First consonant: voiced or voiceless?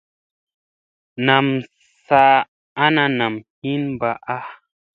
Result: voiced